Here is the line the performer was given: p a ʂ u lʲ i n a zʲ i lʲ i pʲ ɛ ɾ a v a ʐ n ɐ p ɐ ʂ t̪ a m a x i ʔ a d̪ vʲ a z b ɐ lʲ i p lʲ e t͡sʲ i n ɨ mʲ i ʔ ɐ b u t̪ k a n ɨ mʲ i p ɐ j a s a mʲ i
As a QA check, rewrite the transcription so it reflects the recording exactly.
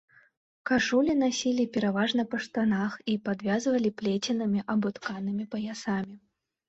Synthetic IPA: k a ʂ u lʲ i n a sʲ i lʲ i pʲ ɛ ɾ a v a ʐ n ɐ p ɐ ʂ t̪ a n a x i p a d̪ vʲ a z v ɐ lʲ i p lʲ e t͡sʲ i n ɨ mʲ i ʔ ɐ b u t̪ k a n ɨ mʲ i p ɐ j a s a mʲ i